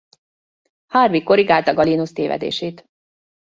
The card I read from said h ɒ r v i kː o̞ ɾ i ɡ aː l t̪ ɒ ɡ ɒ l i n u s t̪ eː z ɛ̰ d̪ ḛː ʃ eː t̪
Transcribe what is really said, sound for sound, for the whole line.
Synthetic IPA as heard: h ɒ r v i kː o̞ ɾ i ɡ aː l t̪ ɒ ɡ ɒ l i n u s t̪ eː v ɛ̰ d̪ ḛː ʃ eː t̪